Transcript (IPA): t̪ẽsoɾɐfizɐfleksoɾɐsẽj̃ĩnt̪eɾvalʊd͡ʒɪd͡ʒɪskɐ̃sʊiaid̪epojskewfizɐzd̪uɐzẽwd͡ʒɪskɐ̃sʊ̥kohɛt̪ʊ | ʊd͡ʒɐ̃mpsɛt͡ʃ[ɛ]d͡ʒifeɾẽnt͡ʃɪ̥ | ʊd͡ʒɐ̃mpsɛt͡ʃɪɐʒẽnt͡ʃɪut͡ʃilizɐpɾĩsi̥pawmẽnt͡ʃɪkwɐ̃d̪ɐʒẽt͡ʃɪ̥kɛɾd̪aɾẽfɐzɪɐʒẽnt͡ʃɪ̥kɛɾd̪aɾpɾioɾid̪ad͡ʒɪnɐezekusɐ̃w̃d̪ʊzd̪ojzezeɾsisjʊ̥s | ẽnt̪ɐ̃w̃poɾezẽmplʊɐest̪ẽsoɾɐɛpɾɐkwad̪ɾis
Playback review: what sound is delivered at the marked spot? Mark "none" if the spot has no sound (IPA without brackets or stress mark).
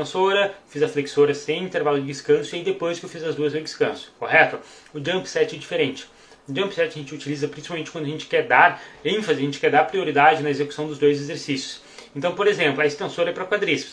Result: ɛ